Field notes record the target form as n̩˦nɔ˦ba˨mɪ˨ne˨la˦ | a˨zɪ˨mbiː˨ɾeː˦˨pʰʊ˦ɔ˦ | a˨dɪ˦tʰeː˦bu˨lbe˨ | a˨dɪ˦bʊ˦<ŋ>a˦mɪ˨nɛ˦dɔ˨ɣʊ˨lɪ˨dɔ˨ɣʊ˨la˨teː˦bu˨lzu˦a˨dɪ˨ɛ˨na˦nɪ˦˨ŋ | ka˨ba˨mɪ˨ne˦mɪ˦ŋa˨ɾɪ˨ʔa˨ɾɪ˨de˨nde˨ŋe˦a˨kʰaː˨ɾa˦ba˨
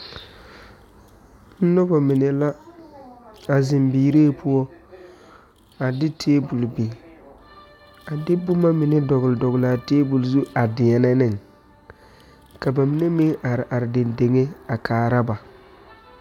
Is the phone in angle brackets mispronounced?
yes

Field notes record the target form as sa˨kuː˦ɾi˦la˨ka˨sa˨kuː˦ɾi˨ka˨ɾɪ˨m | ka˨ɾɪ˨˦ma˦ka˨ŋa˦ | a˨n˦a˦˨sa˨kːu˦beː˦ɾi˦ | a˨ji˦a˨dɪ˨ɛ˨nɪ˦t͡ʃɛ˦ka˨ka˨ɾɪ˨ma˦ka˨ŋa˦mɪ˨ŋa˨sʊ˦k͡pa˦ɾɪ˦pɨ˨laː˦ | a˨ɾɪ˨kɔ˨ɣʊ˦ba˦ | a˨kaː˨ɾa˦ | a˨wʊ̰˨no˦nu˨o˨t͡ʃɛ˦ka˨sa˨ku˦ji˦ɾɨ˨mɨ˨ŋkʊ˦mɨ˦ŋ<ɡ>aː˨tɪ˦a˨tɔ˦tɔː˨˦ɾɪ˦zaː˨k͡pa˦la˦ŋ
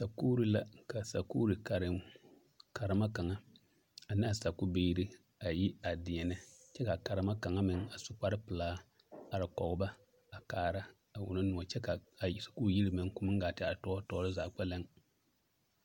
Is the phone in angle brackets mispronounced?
no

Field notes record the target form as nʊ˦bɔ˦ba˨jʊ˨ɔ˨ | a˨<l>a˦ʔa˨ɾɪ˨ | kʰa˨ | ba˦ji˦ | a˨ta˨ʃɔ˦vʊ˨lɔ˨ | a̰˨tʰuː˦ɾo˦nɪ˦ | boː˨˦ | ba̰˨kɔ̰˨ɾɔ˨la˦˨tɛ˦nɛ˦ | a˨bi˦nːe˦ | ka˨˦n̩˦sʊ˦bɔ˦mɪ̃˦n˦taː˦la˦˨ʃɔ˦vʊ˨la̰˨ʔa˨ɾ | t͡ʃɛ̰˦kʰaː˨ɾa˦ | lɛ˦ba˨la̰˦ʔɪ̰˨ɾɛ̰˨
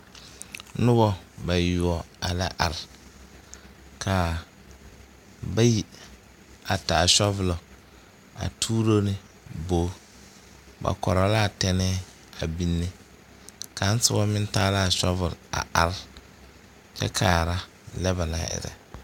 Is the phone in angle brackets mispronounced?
no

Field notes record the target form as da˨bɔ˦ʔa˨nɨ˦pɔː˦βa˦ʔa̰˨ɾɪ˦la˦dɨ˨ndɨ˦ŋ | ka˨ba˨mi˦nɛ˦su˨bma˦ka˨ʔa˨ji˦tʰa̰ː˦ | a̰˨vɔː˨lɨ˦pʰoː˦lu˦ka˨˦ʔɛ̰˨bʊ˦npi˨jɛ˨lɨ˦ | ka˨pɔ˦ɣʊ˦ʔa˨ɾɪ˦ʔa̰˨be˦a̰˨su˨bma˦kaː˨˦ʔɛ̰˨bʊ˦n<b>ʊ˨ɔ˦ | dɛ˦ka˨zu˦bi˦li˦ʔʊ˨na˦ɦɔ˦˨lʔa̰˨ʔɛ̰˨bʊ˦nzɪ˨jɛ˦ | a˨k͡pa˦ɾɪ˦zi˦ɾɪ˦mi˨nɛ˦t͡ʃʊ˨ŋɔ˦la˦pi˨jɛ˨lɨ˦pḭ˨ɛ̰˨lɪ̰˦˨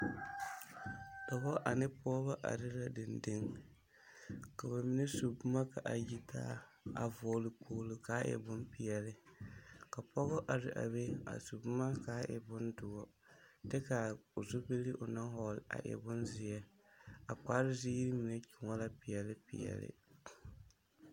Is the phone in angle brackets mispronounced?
yes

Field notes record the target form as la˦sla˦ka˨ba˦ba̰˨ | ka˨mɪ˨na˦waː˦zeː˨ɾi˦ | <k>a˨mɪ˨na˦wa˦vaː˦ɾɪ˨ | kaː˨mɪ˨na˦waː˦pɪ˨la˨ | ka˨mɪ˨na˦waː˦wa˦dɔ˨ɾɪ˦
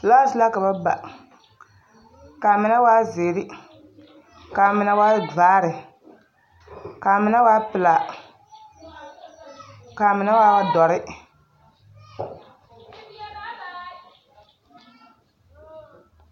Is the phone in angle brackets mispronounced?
no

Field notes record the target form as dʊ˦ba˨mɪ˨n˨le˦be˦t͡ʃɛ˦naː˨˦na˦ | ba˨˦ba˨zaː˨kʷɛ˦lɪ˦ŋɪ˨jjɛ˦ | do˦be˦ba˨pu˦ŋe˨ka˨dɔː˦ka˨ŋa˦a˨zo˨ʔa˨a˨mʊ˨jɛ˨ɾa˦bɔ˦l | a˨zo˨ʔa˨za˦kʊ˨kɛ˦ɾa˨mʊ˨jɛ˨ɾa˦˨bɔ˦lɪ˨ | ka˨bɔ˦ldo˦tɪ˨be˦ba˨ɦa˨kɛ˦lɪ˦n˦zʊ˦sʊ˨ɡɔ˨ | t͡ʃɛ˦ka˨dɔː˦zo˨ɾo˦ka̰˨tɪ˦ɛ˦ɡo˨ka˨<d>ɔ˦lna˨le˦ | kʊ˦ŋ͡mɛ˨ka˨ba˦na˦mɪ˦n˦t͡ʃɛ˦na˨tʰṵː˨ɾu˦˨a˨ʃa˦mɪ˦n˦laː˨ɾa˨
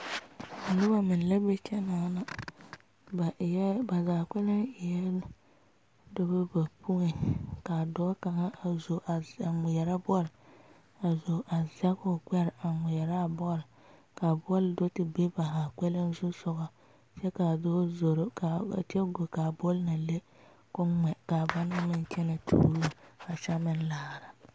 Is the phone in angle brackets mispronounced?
yes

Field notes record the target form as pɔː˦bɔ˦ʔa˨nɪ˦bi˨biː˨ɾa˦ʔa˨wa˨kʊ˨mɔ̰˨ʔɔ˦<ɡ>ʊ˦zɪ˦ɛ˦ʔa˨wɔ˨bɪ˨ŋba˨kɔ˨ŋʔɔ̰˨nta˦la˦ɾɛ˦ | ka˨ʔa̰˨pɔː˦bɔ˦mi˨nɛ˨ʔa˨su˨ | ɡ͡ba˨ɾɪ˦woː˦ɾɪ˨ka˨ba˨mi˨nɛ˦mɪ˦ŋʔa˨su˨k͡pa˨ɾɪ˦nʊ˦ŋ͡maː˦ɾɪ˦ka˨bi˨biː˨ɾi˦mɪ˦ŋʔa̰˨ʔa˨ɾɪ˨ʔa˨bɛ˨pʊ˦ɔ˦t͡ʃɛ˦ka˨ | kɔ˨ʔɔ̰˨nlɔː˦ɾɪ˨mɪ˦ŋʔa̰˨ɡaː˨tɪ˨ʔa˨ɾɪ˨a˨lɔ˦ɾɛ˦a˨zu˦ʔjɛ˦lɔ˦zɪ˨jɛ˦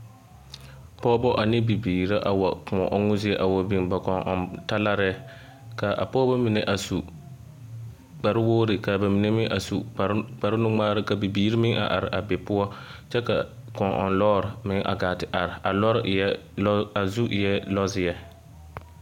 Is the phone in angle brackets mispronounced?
yes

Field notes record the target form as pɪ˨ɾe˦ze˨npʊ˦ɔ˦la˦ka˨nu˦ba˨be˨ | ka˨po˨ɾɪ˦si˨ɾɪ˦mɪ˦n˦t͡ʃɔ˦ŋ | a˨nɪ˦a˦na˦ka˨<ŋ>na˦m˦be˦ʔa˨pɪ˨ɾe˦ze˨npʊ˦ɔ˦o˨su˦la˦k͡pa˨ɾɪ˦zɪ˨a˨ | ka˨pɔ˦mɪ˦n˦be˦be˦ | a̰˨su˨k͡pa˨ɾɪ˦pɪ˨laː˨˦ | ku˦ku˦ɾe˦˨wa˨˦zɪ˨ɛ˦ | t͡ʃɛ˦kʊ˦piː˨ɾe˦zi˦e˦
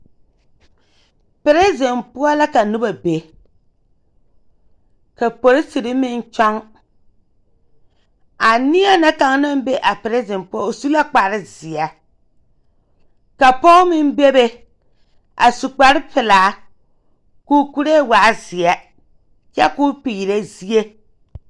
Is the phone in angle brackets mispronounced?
no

